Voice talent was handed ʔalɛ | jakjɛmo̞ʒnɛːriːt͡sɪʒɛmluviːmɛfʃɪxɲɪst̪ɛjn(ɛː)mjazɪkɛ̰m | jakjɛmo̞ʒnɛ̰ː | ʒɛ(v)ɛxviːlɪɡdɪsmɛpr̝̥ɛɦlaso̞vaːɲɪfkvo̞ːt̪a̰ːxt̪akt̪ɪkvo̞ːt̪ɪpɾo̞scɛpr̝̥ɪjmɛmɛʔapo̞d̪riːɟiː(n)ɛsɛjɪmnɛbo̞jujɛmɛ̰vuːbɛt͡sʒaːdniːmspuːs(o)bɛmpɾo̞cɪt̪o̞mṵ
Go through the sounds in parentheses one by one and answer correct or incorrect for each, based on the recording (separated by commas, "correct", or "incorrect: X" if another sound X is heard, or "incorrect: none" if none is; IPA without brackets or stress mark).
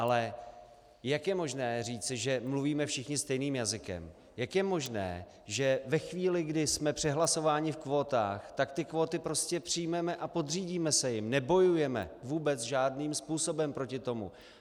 incorrect: iː, correct, incorrect: m, correct